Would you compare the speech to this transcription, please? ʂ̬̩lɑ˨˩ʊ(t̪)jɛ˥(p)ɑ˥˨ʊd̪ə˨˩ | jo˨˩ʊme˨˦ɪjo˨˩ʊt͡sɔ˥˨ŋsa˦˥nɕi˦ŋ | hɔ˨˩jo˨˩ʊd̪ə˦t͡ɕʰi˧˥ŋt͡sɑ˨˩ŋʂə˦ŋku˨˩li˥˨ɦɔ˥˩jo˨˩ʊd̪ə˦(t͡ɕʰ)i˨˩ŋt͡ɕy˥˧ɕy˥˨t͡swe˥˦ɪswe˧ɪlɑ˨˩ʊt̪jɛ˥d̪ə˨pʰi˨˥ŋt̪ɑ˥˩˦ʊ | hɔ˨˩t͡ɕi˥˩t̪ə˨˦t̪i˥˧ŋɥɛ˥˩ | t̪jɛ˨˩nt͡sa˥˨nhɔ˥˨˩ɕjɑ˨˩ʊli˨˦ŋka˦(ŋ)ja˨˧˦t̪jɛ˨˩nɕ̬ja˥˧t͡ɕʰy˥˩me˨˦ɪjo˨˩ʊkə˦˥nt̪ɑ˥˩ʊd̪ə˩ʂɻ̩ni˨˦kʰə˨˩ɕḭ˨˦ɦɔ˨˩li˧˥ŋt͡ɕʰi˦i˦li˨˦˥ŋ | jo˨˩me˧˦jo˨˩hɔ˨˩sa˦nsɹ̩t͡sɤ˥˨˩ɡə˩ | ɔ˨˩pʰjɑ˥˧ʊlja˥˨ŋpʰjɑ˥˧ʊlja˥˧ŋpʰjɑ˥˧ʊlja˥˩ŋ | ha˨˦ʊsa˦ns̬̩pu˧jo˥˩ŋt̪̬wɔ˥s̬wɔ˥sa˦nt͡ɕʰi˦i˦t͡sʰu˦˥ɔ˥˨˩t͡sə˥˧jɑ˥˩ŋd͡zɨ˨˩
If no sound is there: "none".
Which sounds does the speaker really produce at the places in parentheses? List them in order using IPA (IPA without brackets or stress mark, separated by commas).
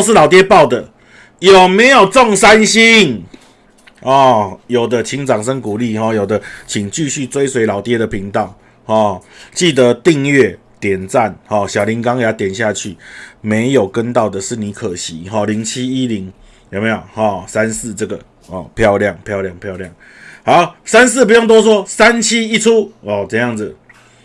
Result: t̪, p, t͡ɕʰ, ŋ